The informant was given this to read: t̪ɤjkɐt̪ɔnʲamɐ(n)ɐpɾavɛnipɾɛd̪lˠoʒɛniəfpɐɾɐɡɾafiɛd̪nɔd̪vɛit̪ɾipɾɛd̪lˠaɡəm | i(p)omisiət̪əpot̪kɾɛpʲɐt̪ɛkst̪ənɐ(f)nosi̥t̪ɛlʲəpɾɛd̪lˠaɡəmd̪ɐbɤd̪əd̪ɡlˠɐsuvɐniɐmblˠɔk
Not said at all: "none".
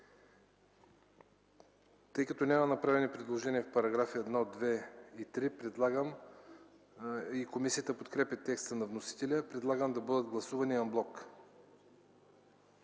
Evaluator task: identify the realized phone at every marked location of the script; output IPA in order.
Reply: n, k, v

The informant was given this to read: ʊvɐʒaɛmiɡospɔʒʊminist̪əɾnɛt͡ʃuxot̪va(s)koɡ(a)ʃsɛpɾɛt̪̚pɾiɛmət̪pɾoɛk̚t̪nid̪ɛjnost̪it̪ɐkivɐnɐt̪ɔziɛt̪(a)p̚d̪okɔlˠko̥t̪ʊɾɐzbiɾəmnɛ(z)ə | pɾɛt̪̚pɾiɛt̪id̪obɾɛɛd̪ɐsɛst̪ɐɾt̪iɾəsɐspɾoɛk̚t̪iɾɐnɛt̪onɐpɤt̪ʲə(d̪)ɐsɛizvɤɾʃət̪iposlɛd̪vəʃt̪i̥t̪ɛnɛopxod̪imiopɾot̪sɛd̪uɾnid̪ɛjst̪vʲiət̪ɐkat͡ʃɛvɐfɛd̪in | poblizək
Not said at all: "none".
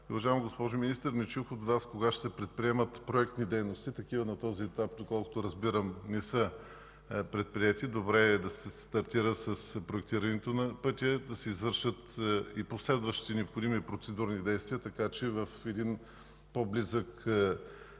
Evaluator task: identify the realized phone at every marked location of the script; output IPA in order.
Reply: s, a, a, s, d̪

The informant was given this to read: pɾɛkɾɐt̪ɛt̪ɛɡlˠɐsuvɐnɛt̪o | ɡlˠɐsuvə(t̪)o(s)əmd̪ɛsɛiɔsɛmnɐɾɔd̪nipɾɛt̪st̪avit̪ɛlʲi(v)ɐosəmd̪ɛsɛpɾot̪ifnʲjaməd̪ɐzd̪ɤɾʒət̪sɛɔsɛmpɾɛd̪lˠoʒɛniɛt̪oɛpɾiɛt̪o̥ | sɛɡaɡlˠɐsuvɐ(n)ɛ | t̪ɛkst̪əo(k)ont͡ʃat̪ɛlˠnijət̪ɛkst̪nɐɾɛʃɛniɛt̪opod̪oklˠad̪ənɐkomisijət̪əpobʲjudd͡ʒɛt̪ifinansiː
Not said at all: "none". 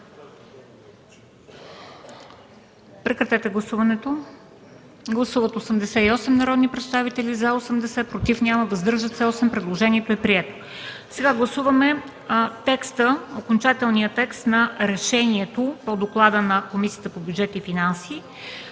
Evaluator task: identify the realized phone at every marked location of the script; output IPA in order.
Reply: t̪, s, z, m, k

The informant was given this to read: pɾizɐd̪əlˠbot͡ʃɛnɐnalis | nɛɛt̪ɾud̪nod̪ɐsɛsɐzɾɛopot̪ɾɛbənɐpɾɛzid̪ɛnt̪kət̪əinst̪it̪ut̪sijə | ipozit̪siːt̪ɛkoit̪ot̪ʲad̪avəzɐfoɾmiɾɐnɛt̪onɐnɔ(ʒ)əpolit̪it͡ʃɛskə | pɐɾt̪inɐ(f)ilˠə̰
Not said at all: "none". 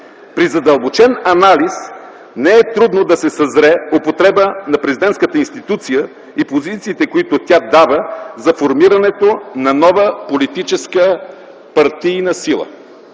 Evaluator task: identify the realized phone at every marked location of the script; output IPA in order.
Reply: v, s

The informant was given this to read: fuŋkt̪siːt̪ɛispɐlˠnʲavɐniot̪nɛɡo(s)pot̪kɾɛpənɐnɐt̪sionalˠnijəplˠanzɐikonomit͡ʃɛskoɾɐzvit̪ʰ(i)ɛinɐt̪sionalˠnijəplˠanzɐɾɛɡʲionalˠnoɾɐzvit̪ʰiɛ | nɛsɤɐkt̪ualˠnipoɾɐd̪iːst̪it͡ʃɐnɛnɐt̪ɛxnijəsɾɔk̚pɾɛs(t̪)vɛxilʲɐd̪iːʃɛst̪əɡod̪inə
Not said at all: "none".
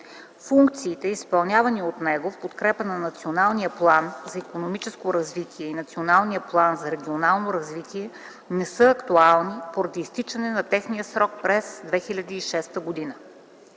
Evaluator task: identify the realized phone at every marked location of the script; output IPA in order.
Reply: f, i, d̪

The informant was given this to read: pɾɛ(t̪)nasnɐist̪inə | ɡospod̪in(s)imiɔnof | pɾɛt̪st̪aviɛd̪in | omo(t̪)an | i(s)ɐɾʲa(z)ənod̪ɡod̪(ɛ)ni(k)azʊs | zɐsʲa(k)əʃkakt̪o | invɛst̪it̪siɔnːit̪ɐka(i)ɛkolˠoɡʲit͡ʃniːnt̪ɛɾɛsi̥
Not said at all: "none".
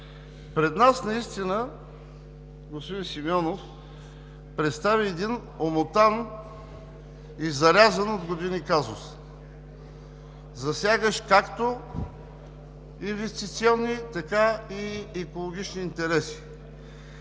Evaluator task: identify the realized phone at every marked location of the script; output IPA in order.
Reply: d̪, s, t̪, z, z, i, k, ɡ, i

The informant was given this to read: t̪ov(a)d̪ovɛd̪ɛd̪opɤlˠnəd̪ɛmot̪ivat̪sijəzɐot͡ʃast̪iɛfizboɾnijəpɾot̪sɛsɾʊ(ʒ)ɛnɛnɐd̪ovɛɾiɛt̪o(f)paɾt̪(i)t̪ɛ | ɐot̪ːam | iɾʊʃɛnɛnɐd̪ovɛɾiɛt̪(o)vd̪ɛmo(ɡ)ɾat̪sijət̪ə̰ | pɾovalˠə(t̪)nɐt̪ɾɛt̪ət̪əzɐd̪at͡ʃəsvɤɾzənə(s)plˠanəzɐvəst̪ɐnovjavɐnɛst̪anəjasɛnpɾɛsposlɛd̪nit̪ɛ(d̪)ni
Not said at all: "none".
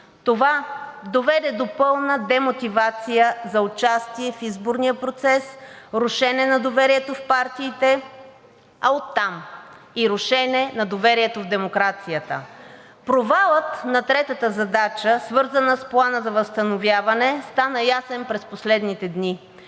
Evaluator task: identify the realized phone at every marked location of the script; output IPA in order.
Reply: a, ʃ, f, iː, o, k, t̪, s, d̪

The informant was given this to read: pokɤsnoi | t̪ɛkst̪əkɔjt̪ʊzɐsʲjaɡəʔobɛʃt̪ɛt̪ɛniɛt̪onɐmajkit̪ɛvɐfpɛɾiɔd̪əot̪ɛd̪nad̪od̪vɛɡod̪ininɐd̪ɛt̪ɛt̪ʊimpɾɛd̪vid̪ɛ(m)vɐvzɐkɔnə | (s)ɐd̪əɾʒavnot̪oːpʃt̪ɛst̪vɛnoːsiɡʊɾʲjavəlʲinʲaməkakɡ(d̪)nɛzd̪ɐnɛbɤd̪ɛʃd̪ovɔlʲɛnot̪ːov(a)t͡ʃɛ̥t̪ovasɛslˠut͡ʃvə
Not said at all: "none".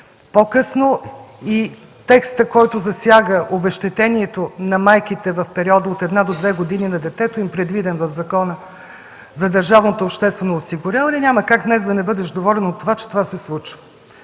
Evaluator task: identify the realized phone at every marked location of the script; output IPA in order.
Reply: n, z, d̪, a

